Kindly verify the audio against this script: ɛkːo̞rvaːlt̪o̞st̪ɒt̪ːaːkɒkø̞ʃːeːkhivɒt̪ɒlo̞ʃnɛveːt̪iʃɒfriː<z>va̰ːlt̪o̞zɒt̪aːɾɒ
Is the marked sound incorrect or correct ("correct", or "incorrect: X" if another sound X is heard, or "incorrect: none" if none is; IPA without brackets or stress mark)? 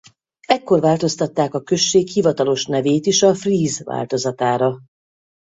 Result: correct